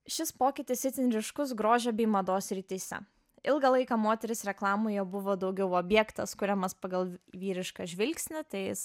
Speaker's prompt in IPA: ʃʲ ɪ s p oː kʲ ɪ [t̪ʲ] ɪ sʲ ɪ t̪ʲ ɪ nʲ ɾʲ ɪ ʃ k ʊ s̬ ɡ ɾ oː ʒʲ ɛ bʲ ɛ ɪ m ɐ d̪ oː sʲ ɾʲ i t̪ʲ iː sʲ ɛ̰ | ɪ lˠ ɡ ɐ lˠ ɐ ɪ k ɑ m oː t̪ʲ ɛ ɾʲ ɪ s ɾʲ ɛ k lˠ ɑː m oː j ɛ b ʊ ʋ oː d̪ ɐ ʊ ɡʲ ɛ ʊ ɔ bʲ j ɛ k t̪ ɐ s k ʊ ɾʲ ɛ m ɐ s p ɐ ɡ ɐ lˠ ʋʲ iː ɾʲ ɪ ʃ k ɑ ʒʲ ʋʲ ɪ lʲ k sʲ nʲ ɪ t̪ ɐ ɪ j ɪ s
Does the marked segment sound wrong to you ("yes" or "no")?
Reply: no